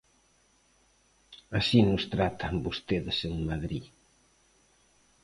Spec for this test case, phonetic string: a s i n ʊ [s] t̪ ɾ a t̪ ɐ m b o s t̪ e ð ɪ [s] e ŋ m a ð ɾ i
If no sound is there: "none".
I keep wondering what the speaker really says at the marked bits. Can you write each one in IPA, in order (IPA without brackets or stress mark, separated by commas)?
s, s